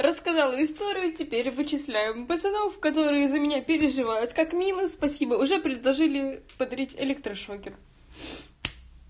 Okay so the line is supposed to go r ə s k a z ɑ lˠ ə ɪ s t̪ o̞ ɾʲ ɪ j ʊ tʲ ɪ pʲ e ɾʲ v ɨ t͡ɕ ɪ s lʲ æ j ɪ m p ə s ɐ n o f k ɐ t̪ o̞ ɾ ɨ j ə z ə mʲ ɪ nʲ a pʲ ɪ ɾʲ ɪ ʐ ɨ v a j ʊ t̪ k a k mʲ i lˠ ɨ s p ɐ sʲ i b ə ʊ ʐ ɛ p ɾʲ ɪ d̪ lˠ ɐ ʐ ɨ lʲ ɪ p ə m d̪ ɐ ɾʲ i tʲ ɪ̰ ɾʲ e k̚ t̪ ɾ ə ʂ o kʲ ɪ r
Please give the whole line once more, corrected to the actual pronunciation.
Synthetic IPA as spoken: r ə s k ɐ z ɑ lˠ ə ɪ s t̪ o̞ ɾʲ ɪ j ʊ tʲ ɪ pʲ e ɾʲ v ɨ t͡ɕ ɪ s lʲ æ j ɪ m p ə s ɐ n o f k ɐ t̪ o̞ ɾ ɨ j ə z ə mʲ ɪ nʲ a pʲ ɪ ɾʲ ɪ ʐ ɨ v a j ʊ t̪ k a k mʲ i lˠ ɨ s p ɐ sʲ i b ə ʊ ʐ ɛ p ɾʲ ɪ d̪ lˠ ɐ ʐ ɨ lʲ ɪ p ə d̪ ɐ ɾʲ i tʲ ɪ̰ lʲ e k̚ t̪ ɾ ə ʂ o kʲ ɪ r